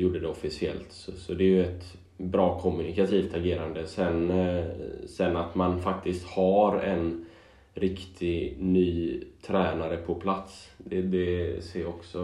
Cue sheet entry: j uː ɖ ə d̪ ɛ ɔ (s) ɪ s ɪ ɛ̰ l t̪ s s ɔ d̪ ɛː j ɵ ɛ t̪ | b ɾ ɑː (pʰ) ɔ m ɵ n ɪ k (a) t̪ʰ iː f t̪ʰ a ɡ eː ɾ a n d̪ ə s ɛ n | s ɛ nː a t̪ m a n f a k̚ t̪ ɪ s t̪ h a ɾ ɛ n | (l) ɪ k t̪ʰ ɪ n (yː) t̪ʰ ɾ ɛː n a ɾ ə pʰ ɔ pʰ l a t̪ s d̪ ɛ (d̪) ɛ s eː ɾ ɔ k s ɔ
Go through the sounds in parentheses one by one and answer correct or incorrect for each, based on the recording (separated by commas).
incorrect, incorrect, correct, incorrect, correct, correct